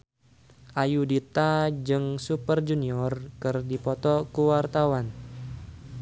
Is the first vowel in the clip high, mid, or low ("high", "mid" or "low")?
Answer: low